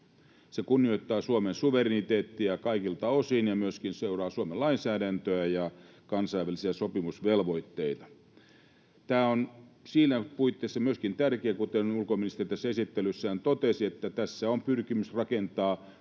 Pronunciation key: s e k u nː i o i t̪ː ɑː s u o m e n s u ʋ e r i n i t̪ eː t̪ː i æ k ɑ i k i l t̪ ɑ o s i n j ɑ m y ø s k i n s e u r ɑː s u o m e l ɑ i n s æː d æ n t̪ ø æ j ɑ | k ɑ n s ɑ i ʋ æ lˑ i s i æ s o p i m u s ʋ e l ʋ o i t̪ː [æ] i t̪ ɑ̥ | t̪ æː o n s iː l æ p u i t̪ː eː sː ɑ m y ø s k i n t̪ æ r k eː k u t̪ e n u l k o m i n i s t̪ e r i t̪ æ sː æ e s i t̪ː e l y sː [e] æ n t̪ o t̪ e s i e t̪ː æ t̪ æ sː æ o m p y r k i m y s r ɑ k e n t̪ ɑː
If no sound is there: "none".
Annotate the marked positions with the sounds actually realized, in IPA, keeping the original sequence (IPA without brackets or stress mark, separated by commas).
e, æ